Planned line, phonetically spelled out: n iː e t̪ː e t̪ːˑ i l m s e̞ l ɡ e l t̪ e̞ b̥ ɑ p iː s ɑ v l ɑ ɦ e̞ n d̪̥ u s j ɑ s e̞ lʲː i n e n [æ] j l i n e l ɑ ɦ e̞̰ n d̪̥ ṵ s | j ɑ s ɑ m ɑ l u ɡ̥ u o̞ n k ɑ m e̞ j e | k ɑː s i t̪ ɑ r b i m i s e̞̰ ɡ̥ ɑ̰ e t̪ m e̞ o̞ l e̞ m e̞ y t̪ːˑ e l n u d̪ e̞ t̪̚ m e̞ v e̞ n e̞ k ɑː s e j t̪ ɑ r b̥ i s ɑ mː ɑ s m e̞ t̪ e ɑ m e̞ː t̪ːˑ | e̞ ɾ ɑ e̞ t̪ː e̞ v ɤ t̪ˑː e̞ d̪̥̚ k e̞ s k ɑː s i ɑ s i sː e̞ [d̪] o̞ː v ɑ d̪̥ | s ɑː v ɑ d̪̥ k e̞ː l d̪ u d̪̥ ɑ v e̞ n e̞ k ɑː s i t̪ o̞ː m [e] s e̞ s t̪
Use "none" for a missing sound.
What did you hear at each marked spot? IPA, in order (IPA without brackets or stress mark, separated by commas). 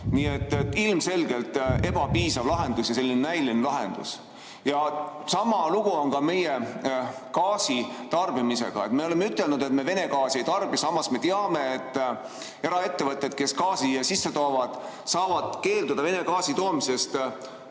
æ, t̪, i